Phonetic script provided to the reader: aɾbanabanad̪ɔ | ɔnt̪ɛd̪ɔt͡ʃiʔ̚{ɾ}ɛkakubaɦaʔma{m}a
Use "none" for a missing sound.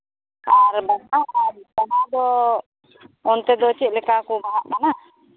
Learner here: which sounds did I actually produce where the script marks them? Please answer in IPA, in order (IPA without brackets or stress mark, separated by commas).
l, n